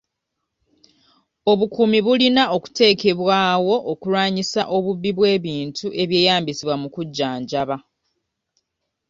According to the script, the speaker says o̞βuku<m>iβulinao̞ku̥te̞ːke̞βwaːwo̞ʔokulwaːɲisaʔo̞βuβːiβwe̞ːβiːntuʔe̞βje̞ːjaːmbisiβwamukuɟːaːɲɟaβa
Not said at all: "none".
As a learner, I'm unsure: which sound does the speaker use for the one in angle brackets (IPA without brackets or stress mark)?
m